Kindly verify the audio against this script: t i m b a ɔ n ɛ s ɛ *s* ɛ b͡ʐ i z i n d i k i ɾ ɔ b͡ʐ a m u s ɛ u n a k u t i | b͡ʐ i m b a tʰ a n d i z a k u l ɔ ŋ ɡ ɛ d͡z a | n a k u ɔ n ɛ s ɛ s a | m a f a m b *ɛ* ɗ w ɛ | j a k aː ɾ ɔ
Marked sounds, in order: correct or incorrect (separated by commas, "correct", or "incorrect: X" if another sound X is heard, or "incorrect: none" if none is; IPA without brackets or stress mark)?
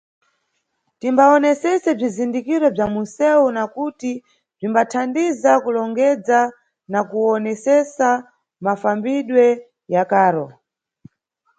correct, incorrect: i